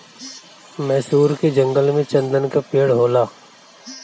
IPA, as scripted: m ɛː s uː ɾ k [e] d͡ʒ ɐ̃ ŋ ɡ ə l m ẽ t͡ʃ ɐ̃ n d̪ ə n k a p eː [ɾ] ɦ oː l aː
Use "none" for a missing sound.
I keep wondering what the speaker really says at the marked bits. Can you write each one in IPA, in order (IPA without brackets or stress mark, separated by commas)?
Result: e, ɽ